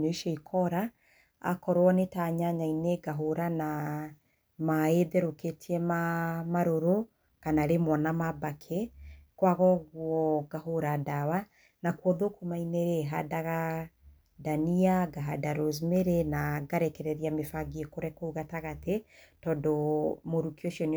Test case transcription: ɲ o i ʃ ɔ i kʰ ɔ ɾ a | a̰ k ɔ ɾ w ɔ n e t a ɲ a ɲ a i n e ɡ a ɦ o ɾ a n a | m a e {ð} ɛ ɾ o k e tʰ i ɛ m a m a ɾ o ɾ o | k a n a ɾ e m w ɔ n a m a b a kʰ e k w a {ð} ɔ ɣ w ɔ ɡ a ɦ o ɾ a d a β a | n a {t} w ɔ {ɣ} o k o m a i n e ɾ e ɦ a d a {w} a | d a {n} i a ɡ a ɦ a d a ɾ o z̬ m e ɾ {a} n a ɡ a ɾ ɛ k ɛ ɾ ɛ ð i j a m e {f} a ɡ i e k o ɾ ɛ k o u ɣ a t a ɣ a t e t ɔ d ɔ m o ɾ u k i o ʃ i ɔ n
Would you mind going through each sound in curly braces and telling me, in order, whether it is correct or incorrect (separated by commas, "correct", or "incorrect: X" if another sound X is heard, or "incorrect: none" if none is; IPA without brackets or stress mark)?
correct, incorrect: ɣ, incorrect: k, incorrect: ð, incorrect: ɣ, correct, incorrect: e, correct